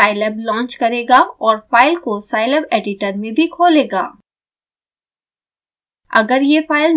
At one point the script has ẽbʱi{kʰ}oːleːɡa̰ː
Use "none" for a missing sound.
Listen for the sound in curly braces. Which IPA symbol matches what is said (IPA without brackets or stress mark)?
kʰ